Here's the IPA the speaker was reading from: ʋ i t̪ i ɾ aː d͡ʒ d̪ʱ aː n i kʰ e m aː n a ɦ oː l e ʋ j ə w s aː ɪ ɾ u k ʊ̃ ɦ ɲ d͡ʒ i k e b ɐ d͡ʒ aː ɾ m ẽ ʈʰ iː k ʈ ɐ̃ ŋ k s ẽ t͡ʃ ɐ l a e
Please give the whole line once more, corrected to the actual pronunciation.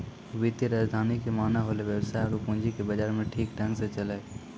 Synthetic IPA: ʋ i t̪ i ɾ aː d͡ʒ d̪ʱ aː n i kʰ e m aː n a ɦ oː l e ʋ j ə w s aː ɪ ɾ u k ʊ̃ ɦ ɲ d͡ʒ i k e b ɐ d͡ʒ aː ɾ m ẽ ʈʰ iː k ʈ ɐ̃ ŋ ɡ s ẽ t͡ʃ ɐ l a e